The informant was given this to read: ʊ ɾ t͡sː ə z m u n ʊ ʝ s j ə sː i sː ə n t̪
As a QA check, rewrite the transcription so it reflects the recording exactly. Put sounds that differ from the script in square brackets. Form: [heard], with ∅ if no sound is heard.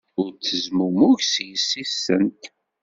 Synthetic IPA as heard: ʊ ɾ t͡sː ə z m u [m] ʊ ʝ s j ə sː i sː ə n t̪